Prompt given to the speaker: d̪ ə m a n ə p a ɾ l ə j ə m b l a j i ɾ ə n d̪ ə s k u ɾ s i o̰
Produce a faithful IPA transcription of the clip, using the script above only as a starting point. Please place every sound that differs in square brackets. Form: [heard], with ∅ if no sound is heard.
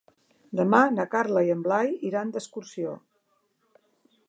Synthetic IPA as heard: d̪ ə m a n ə [k] a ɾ l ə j ə m b l a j i ɾ [a] n d̪ ə s k u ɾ s i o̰